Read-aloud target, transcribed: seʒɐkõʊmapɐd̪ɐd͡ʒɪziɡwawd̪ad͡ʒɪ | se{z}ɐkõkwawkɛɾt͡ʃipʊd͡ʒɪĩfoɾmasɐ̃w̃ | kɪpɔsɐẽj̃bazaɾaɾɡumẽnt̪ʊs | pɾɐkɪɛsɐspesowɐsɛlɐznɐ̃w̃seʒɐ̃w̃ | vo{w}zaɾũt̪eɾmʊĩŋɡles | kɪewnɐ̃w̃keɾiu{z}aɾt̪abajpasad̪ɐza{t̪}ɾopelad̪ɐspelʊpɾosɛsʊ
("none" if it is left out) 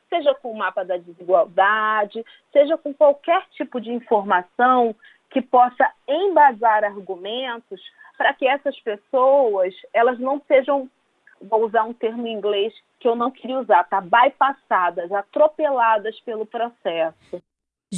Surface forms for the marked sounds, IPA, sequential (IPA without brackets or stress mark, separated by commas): ʒ, u, z, t̪